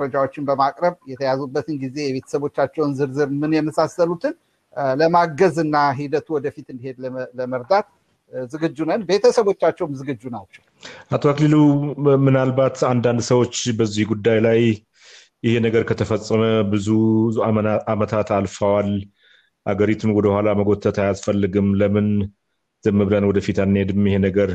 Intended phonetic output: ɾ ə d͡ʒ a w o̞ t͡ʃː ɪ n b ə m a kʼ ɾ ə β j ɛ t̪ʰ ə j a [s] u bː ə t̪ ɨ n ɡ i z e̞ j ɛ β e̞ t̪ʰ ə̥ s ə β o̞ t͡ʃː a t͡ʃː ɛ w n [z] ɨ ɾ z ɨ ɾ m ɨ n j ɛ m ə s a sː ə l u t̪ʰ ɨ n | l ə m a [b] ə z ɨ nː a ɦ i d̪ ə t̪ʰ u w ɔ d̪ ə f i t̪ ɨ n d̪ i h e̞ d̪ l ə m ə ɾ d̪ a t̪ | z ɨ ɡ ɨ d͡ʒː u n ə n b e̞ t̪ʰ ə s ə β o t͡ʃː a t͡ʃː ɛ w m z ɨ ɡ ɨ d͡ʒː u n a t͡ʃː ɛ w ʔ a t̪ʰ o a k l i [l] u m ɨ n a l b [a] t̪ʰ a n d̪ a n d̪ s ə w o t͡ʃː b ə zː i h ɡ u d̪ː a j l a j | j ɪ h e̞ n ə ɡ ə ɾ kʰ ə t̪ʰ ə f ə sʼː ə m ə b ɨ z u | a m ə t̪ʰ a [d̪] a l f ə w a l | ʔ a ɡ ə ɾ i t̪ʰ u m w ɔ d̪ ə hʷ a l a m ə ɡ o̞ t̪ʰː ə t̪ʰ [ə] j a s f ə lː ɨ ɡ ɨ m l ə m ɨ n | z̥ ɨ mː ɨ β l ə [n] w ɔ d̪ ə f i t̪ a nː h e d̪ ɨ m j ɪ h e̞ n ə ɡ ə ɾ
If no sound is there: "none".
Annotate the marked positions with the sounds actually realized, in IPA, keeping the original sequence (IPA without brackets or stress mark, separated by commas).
z, z, ɡ, l, a, t̪, a, n